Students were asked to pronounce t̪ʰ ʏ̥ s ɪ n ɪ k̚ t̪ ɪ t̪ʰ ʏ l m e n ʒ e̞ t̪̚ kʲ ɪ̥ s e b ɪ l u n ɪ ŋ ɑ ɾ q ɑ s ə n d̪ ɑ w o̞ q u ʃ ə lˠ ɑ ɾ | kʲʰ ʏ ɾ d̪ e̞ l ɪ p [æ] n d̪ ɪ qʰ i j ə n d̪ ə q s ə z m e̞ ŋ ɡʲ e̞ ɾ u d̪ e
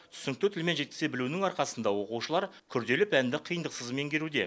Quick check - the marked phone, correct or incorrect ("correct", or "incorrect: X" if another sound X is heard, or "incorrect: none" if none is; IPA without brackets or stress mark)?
correct